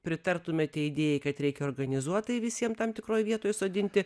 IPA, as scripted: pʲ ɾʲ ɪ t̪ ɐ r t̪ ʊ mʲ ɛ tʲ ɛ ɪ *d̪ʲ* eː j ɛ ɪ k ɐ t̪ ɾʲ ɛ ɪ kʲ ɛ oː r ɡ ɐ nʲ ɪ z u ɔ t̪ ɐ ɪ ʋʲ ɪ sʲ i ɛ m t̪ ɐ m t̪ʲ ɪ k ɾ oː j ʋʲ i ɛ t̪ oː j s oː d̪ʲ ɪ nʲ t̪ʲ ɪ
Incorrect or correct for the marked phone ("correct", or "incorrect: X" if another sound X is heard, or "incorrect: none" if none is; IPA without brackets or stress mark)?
correct